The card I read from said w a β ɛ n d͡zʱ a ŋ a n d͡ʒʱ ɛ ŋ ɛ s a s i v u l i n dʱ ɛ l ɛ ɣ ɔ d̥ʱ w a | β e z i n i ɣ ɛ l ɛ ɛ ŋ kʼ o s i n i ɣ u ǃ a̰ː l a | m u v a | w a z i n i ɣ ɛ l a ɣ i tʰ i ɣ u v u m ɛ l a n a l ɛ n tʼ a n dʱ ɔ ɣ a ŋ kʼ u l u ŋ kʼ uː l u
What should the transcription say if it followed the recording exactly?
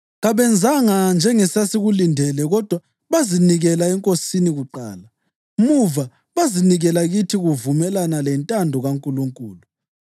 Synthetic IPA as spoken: ɣ a β ɛ n d͡zʱ a ŋ a n d͡ʒʱ ɛ ŋ ɛ s a s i ɣ u l i n dʱ ɛ l ɛ ɣ ɔ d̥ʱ w a | β a z i n i ɣ ɛ l a ɛ ŋ kʼ o s i n i ɣ u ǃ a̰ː l a | m u v a | β a z i n i ɣ ɛ l a ɣ i tʰ i ɣ u v u m ɛ l a n a l ɛ n tʼ a n dʱ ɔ ɣ a ŋ kʼ u l u ŋ kʼ uː l u